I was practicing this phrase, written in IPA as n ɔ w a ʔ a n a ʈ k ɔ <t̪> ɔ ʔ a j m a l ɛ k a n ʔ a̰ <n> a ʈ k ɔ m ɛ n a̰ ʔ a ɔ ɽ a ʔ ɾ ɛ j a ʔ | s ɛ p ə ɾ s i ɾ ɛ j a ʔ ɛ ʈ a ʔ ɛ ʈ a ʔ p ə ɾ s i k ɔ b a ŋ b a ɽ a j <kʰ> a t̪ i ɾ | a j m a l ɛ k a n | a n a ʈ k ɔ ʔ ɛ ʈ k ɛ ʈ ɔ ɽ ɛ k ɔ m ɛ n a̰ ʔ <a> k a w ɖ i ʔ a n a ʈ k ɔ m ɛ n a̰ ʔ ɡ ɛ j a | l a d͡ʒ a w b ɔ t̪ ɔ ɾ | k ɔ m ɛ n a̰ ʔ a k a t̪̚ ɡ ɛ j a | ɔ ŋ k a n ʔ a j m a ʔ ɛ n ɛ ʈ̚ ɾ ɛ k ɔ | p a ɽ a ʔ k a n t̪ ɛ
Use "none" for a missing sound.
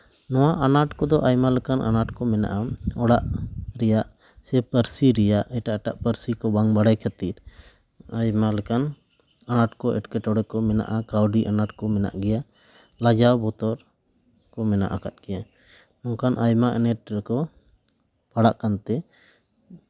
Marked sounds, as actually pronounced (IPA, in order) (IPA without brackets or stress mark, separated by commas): d̪, n, kʰ, a